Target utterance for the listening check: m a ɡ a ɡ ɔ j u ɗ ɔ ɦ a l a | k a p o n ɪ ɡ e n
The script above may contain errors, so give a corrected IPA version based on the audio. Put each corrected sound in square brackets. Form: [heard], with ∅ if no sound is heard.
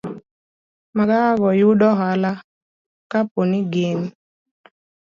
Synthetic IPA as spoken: m a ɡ a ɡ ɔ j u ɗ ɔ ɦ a l a | k a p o n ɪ ɡ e n